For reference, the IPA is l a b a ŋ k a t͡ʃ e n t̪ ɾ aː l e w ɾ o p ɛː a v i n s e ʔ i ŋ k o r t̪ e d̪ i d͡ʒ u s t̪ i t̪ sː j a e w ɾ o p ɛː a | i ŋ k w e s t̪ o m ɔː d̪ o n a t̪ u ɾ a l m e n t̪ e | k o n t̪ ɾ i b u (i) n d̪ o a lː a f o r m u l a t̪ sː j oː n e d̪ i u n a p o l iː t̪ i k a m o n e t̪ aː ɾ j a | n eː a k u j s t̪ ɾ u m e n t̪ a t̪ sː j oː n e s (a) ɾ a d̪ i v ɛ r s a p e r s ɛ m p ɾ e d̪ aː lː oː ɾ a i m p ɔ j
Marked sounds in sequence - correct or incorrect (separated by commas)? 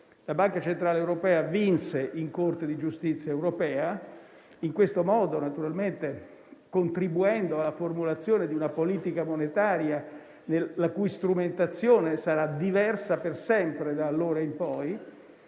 incorrect, correct